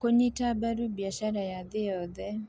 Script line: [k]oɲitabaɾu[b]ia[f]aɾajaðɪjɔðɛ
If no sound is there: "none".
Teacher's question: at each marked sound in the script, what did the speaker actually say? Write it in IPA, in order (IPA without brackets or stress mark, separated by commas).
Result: k, b, ʃ